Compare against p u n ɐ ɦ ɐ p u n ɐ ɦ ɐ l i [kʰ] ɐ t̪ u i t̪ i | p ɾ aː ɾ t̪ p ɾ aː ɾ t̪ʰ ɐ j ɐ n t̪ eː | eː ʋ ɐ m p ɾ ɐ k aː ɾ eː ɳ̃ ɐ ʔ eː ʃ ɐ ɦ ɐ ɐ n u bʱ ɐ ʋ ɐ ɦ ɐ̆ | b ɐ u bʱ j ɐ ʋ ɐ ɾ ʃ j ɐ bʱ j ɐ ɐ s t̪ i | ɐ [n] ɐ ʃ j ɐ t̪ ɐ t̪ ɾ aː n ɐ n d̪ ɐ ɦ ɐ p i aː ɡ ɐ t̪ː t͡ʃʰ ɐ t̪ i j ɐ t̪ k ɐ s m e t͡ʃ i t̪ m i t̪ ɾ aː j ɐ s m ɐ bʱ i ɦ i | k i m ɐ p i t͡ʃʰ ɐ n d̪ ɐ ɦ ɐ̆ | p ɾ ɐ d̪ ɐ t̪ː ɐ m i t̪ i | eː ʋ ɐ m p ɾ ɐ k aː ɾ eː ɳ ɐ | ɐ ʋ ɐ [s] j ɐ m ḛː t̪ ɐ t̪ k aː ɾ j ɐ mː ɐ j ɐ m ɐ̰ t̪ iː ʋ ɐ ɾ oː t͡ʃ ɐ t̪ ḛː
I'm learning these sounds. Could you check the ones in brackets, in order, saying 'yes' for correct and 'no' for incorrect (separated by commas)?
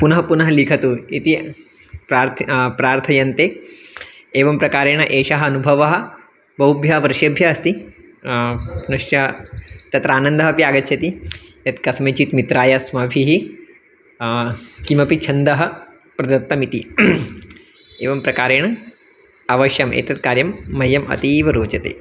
yes, yes, no